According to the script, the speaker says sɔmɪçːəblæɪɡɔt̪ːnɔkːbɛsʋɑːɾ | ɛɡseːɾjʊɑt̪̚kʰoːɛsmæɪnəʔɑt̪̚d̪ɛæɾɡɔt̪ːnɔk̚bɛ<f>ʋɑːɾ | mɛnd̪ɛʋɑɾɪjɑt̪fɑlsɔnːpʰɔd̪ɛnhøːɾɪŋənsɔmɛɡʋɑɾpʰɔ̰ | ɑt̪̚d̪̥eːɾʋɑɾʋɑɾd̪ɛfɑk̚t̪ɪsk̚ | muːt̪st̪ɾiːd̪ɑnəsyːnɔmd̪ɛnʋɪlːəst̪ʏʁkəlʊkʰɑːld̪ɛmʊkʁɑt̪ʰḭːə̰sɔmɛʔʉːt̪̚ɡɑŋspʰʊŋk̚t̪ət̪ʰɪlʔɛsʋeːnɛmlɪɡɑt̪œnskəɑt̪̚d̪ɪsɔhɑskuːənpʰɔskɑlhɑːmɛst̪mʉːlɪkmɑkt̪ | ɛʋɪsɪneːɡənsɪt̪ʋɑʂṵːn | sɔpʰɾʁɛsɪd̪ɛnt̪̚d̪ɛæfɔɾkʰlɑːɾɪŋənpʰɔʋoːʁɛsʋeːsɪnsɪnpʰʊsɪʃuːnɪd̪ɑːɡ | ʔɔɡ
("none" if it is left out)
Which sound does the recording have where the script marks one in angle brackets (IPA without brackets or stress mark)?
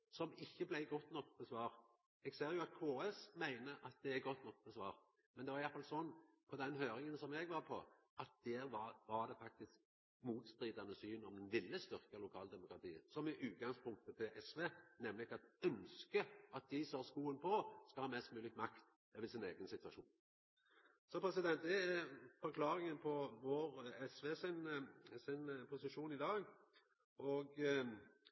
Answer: s